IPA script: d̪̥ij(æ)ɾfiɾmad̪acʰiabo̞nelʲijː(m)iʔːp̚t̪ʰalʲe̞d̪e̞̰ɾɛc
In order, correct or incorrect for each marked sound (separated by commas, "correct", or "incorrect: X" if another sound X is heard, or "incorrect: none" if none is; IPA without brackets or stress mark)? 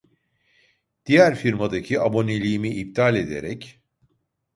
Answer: correct, correct